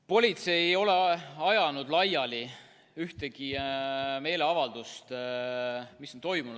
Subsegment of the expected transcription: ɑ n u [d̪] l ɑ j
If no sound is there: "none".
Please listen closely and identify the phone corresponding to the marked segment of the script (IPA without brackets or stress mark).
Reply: d̪